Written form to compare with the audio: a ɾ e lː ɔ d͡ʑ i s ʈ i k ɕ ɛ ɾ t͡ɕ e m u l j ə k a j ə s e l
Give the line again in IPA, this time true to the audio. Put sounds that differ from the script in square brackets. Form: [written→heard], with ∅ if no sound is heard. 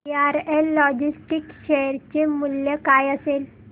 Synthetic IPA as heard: a ɾ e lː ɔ d͡ʑ i s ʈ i k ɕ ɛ ɾ t͡ɕ e m u l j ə k a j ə s e l